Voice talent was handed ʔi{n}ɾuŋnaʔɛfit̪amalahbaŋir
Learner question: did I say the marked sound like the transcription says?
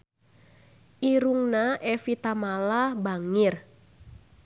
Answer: no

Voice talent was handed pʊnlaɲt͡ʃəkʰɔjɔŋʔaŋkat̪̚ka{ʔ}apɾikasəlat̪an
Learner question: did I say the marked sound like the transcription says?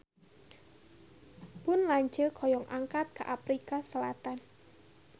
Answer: yes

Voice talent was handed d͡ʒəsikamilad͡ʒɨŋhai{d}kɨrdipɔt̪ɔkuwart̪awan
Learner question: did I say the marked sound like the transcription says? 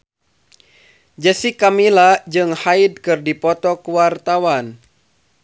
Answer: yes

